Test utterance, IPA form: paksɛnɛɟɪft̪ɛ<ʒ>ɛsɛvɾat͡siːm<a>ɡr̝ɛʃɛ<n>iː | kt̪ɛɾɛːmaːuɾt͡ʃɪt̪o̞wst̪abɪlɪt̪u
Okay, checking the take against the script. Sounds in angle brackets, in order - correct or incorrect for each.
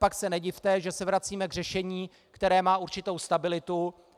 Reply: correct, incorrect: ɛ, incorrect: ɲ

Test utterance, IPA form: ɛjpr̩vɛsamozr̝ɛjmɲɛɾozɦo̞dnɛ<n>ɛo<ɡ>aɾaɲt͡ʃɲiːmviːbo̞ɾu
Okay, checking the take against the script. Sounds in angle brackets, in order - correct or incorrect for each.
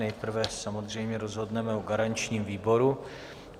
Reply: incorrect: m, correct

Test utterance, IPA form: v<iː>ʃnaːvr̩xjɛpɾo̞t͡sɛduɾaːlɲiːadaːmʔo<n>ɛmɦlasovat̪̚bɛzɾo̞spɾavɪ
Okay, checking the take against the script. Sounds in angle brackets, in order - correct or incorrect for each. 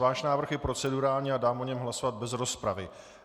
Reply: incorrect: aː, incorrect: ɲ

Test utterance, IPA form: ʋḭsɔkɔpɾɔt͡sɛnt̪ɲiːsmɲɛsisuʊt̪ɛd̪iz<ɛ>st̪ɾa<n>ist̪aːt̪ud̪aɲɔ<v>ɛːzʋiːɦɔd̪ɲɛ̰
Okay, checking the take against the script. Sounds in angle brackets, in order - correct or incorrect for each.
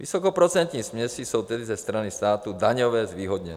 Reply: correct, correct, incorrect: ʋ

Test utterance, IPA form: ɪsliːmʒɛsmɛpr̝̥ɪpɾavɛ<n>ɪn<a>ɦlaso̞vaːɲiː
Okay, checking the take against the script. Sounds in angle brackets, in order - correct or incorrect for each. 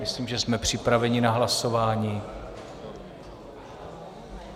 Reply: incorrect: ɲ, correct

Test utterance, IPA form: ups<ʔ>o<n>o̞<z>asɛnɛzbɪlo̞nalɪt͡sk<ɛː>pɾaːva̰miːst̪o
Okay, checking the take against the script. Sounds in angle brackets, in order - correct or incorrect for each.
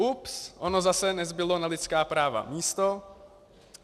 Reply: correct, correct, correct, incorrect: aː

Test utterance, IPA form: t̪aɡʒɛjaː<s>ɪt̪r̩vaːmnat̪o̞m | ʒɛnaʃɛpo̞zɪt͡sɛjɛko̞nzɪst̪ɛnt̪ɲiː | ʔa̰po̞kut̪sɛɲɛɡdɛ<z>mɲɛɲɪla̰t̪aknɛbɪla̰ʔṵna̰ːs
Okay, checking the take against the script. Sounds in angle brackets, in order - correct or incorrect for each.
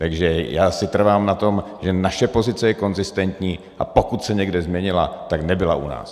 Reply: correct, correct

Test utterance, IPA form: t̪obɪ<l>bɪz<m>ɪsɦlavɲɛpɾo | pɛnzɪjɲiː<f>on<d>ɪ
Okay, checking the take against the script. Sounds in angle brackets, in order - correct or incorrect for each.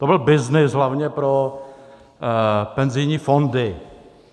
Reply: correct, incorrect: n, correct, correct

